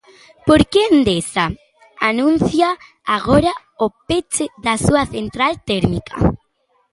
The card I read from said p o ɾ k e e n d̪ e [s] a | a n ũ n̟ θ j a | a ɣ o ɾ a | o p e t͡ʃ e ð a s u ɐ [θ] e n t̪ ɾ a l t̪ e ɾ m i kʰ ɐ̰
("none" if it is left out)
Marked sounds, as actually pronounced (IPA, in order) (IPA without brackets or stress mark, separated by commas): s, θ